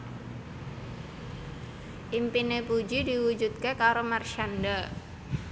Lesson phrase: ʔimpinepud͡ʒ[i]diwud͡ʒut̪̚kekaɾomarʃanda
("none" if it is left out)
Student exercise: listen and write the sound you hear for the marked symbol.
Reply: i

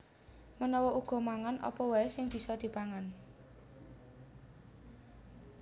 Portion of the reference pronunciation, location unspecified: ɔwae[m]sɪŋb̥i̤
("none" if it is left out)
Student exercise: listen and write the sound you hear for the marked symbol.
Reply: none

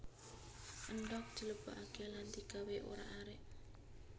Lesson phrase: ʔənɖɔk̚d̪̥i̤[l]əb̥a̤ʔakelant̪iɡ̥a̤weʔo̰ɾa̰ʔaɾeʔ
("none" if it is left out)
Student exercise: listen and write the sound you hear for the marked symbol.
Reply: l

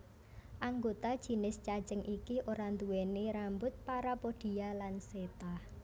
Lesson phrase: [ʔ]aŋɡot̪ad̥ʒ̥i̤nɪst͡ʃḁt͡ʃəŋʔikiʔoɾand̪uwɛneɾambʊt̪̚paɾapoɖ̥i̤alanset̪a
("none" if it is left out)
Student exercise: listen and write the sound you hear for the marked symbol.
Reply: ʔ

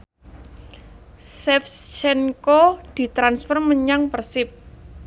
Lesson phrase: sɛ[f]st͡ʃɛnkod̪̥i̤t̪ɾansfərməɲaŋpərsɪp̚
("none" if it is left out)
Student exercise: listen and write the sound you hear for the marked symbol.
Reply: f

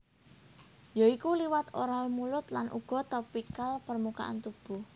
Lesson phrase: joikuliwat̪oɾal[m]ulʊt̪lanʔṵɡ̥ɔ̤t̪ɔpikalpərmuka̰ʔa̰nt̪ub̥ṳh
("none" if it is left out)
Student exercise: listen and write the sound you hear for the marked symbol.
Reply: m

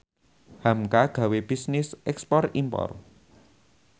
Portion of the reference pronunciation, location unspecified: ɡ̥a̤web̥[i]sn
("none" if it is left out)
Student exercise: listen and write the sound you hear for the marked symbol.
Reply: i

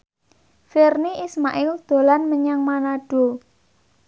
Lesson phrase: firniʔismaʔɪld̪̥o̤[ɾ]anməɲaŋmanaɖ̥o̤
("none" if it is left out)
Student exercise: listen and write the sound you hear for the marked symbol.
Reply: l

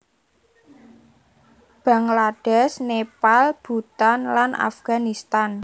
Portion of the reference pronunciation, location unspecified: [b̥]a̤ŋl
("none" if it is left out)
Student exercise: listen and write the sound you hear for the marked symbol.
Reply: b̥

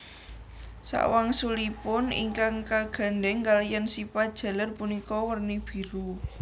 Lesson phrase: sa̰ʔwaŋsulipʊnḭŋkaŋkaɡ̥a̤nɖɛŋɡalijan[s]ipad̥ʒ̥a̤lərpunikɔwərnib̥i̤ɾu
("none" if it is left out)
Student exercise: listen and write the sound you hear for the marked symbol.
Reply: s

